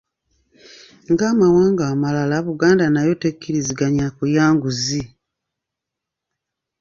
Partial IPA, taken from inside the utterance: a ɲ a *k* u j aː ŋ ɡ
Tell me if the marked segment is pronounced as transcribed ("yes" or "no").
yes